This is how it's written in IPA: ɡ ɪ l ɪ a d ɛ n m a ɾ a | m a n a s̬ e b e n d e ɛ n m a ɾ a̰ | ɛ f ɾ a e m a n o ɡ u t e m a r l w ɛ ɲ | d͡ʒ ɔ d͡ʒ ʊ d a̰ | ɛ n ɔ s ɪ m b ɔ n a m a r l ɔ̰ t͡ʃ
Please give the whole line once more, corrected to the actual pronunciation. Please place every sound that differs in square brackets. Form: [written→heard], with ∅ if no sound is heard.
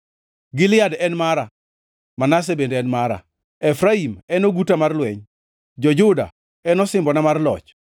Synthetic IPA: ɡ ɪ l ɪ a d ɛ n m a ɾ a | m a n a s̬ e b e n d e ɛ n m a ɾ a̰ | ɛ f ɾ a [e→i] m [a→ɛ] n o ɡ u t [e→a] m a r l w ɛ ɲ | d͡ʒ ɔ d͡ʒ ʊ d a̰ | ɛ n ɔ s ɪ m b ɔ n a m a r l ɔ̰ t͡ʃ